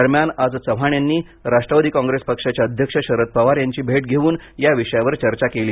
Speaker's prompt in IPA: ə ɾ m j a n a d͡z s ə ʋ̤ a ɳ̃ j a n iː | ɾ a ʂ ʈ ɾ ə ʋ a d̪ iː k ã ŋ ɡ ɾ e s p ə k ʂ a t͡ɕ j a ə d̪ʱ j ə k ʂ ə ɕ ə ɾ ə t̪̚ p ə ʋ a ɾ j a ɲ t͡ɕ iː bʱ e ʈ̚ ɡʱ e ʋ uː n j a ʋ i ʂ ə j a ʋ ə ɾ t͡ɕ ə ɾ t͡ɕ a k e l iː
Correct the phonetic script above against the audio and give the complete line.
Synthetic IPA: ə ɾ m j a n a d͡z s ə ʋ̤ a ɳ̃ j a nː iː | ɾ a ʂ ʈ ɾ ə ʋ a d̪ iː k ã ŋ ɡ ɾ e s p ə k ʂ a t͡ɕ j a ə d̪ʱ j ə k ʂ ə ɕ ə ɾ ə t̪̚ p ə ʋ a ɾ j a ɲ t͡ɕ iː bʱ e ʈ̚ ɡʱ e ʋ uː n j a ʋ i ʂ ə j a ʋ ə ɾ t͡ɕ ə ɾ t͡ɕ a k e l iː

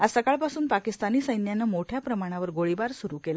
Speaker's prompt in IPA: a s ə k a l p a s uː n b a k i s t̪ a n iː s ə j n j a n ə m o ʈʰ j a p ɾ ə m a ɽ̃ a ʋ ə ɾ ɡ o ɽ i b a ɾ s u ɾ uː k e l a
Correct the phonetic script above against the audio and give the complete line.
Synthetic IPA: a s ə k a ɭ p a s uː n p a k i s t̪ a n iː s ə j n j a n ə m o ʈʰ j a p ɾ ə m a ɽ̃ a ʋ ə ɾ ɡ o ɭ i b a ɾ s u ɾ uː k e l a

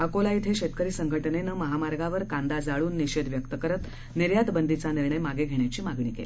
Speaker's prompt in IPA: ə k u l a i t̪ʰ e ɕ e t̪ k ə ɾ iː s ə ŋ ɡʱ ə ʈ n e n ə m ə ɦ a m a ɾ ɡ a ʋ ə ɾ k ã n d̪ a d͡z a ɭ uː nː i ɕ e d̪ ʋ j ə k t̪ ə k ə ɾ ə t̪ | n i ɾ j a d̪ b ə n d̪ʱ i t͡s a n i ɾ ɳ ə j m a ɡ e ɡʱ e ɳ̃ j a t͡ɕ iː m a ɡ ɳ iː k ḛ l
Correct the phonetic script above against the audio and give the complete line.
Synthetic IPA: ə k o l a i t̪ʰ e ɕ e t̪ k ə ɾ iː s ə ŋ ɡʱ ə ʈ n e n ə m ə ɦ a m a ɾ ɡ a ʋ ə ɾ k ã n d̪ a d͡z a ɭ uː nː i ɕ e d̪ ʋ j ə k t̪ ə k ə ɾ ə t̪ | n i ɾ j a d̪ b ə n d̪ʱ i t͡s a n i ɾ ɳ ə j m a ɡ e ɡʱ e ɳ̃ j a t͡ɕ iː m a ɡ ɳ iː k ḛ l

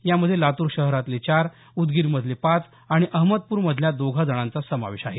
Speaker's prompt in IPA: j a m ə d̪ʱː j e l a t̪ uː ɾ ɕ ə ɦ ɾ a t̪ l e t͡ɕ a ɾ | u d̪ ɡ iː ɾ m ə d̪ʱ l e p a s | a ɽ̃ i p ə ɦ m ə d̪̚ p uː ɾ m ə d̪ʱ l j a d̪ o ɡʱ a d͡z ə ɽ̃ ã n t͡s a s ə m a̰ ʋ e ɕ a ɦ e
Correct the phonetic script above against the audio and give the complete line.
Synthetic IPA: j a m ə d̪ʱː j e l a t̪ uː ɾ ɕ ə ɦ ɾ a t̪ l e t͡ɕ a ɾ | u d̪ ɡ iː ɾ m ə d̪ʱ l e p a t͡s | a ɽ̃ i ʔ ə ɦ m ə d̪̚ p uː ɾ m ə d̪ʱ l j a d̪ o ɡʱ a d͡z ə ɽ̃ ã n t͡s a s ə m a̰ ʋ e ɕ a ɦ e

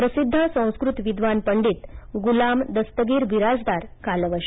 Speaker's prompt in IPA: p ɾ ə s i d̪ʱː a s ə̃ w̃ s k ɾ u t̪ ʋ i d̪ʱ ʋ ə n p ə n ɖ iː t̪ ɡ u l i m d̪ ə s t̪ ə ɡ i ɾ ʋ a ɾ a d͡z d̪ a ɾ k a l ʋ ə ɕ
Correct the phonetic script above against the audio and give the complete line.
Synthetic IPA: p ɾ ə s i d̪ʱː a s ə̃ w̃ s k ɾ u t̪ ʋ i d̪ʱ ʋ a n p ə ɳ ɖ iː t̪ ɡ u l a m d̪ ə s t̪ ə ɡ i ɾ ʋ i ɾ a d͡z d̪ a ɾ k a l ʋ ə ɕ

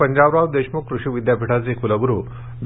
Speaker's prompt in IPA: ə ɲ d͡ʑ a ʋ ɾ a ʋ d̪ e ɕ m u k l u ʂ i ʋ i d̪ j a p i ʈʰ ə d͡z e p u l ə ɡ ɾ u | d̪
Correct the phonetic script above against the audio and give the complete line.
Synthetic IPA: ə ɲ d͡ʑ a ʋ ɾ a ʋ d̪ e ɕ m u k ɾ u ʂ i ʋ i d̪ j a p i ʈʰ a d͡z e k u l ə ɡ ɾ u | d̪

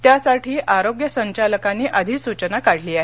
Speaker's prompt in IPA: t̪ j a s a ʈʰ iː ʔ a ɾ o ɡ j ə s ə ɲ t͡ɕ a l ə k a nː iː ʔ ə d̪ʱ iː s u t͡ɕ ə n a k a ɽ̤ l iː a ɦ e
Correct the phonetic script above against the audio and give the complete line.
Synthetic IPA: t̪ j a s a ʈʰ iː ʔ a ɾ o ɡ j ə s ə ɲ t͡ɕ a l ə k a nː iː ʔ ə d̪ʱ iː s u t͡ɕ ə n a k a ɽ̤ l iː a ɦ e

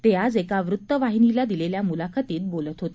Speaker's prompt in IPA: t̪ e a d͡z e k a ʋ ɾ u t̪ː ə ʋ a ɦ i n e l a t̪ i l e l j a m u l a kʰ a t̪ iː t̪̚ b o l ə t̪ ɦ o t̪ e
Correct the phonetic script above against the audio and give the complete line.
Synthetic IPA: t̪ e a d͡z e k a ʋ ɾ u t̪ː ə ʋ a ɦ i n i l a d̪ i l e l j a m u l a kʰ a t̪ iː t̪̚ b o l ə t̪ ɦ o t̪ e

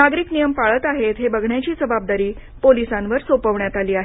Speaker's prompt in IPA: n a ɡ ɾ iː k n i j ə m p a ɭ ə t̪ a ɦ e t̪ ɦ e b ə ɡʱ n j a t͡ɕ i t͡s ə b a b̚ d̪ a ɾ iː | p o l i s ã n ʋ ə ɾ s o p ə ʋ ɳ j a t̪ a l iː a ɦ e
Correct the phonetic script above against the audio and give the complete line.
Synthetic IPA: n a ɡ ɾ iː k n i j ə m p a ɭ ə t̪ a ɦ e t̪ ɦ e b ə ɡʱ ɳ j a t͡ɕ iː t͡s ə b a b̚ d̪ a ɾ iː | p o l i s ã n ʋ ə ɾ s o p ə ʋ ɳ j a t̪ a l iː a ɦ e

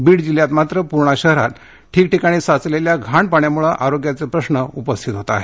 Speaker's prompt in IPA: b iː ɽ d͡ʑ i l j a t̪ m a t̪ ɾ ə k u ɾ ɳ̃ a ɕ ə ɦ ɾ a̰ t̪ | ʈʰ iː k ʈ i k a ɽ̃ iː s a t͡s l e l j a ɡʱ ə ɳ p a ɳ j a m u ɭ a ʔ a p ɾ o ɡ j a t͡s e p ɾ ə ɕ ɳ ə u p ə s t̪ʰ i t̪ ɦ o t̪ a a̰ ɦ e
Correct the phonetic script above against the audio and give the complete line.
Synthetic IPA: b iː ɽ d͡ʑ i l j a t̪ m a t̪ ɾ ə p u ɾ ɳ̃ a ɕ ə ɦ ɾ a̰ t̪ | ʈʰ iː k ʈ i k a ɽ̃ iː s a t͡s l e l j a ɡʱ a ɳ p a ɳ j a m u ɭ a ʔ a ɾ o ɡ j a t͡s e p ɾ ə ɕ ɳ ə u p ə s t̪ʰ i t̪ ɦ o t̪ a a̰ ɦ e

